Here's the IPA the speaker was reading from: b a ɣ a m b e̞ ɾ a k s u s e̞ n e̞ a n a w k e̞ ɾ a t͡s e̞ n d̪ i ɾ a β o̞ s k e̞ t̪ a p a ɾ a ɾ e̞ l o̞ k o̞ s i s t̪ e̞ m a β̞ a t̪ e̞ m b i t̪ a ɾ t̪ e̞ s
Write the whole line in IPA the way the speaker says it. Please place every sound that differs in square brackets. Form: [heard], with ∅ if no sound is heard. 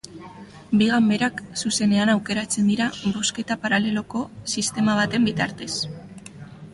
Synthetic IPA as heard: b [i] ɣ a m b e̞ ɾ a k s u s e̞ n e̞ a n a w k e̞ ɾ a t͡s e̞ n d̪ i ɾ a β o̞ s k e̞ t̪ a p a ɾ a [l] e̞ l o̞ k o̞ s i s t̪ e̞ m a β̞ a t̪ e̞ m b i t̪ a ɾ t̪ e̞ s